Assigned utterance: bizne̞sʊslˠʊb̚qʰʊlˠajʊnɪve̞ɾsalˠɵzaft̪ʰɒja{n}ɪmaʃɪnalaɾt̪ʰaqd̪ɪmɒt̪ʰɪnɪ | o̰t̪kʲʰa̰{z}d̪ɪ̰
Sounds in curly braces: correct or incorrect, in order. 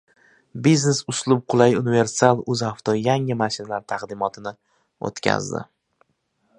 incorrect, correct

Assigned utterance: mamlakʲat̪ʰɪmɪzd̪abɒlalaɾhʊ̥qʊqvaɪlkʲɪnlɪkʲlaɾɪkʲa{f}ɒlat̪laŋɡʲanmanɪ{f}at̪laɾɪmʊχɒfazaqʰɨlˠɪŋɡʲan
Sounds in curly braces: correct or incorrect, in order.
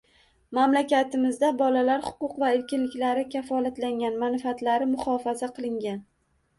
correct, correct

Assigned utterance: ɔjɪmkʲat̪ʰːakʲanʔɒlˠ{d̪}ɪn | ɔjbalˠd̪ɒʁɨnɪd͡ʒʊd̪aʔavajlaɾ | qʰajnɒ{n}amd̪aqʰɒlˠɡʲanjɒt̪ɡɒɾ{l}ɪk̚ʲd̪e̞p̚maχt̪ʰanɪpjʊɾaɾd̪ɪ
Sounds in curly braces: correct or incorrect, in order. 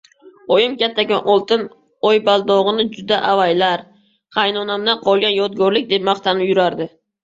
incorrect, correct, correct

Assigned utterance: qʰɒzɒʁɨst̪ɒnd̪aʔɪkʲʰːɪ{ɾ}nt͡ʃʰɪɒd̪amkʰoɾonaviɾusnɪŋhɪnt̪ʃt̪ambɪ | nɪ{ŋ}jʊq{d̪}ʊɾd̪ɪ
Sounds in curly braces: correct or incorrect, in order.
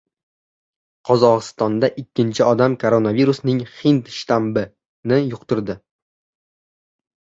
incorrect, incorrect, incorrect

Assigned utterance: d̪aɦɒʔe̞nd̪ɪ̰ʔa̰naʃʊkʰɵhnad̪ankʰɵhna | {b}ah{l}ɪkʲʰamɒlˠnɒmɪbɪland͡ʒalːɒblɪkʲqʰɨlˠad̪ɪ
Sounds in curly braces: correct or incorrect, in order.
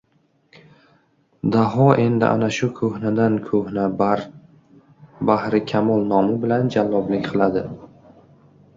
correct, incorrect

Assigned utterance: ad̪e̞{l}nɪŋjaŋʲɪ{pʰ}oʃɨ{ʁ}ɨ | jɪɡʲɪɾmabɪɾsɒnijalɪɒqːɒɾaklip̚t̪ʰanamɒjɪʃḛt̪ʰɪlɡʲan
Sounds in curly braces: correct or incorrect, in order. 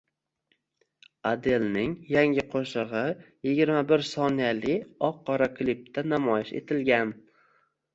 correct, incorrect, correct

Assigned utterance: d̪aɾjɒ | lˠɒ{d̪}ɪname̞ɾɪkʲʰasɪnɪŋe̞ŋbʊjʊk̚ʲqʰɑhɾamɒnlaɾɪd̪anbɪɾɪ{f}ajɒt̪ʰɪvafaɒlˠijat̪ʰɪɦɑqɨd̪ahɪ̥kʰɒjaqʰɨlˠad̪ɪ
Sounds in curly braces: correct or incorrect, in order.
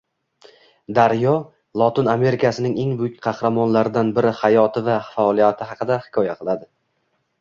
incorrect, incorrect

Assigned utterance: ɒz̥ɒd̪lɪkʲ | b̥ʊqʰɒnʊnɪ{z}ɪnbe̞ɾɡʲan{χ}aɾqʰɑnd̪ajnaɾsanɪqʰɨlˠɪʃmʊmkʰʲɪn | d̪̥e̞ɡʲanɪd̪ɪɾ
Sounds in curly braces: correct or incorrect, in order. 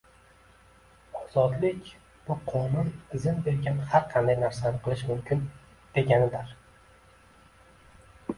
correct, incorrect

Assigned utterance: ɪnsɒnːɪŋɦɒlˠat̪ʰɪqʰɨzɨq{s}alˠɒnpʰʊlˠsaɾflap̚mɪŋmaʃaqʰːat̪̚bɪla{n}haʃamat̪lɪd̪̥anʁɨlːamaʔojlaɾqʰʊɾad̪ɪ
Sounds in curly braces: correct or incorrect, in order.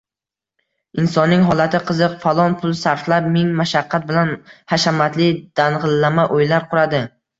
incorrect, correct

